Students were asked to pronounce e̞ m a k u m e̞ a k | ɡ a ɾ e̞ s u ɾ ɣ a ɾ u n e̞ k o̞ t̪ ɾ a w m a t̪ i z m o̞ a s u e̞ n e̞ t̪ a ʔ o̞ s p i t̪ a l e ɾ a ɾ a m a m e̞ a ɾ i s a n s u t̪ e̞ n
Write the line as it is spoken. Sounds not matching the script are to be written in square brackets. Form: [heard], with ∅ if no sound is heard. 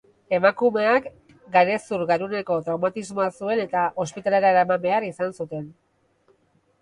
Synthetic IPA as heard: e̞ m a k u m e̞ a k | ɡ a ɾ e̞ s u ɾ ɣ a ɾ u n e̞ k o̞ t̪ ɾ a w m a t̪ i z m o̞ a s u e̞ n e̞ t̪ a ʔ o̞ s p i t̪ a l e ɾ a ɾ a m a m e̞ a ɾ i s a n s u t̪ e̞ n